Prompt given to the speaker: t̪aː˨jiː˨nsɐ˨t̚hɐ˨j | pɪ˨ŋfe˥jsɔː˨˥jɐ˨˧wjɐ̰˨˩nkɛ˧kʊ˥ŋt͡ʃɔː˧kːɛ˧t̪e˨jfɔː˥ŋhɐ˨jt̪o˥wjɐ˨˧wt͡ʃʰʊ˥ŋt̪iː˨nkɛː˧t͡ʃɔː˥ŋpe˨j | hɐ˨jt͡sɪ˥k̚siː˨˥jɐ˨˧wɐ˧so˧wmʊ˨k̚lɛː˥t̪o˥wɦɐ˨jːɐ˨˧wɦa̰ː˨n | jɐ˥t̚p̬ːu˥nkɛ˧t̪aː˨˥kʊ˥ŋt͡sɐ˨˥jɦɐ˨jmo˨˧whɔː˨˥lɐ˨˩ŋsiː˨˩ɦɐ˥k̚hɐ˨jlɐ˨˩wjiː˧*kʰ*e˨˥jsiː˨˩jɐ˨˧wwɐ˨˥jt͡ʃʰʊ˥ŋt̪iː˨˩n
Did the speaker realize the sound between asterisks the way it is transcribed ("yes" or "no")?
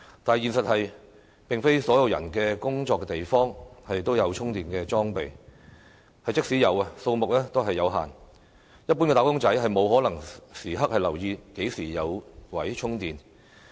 no